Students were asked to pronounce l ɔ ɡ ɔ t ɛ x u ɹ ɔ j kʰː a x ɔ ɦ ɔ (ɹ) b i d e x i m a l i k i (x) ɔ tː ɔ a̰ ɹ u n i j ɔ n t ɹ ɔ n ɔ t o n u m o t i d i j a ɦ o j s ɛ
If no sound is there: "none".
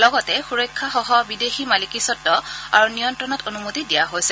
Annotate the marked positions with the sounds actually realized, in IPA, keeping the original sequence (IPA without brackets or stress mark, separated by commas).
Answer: none, s